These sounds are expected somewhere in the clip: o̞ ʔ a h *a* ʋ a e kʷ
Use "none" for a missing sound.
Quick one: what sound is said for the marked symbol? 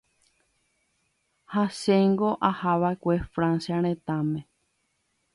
a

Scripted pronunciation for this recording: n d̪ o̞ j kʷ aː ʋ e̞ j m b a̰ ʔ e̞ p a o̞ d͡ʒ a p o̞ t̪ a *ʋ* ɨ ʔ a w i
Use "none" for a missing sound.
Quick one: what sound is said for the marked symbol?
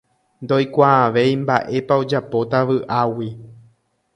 ʋ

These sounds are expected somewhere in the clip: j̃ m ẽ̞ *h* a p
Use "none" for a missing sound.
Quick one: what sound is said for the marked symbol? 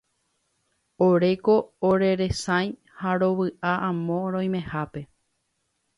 h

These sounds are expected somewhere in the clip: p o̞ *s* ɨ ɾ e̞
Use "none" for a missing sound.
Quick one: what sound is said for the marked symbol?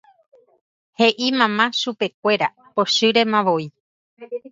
ʃ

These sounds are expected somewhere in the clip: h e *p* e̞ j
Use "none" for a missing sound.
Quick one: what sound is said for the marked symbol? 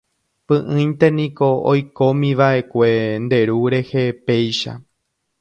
p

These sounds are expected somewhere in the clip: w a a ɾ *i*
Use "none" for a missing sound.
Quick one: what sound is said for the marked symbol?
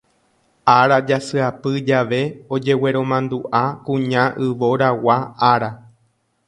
a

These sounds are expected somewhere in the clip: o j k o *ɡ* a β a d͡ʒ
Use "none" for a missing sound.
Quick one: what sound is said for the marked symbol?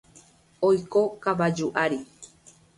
k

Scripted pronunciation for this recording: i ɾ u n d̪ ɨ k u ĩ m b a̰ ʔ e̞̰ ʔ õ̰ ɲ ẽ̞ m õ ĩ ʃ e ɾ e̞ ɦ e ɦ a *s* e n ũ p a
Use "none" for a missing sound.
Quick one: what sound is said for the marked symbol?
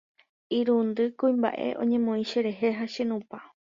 ʃ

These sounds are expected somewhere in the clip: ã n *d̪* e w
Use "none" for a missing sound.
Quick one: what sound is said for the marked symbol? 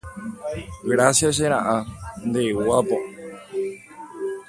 d̪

